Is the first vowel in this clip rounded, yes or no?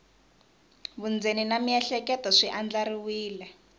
yes